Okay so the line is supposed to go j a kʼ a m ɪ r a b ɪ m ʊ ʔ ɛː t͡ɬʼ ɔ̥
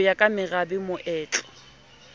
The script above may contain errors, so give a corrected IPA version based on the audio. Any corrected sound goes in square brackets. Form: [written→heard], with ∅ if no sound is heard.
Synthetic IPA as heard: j a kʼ a m ɪ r a b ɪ m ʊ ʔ ɛː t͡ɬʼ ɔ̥